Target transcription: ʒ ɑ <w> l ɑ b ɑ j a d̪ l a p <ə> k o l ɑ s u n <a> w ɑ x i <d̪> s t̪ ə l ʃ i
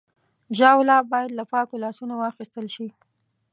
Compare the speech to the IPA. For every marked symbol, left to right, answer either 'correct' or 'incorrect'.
correct, incorrect: ɑ, correct, incorrect: none

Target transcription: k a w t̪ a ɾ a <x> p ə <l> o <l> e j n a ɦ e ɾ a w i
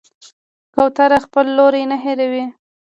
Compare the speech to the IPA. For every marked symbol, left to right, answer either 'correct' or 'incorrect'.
correct, incorrect: lː, incorrect: ɾ

